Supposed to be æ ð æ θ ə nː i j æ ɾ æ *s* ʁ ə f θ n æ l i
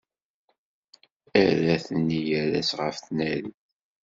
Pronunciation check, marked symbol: correct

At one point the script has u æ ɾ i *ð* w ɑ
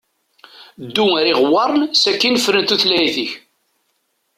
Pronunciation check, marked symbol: incorrect: ʁ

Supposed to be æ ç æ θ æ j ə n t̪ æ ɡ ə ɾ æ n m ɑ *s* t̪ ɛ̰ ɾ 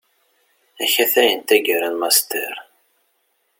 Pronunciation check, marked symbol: correct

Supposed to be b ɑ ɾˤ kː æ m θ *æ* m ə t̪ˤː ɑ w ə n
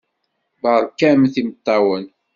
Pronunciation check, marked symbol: incorrect: i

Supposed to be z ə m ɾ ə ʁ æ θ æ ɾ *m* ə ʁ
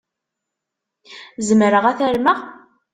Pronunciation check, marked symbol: correct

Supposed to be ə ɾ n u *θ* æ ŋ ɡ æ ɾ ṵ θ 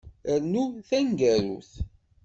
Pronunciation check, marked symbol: correct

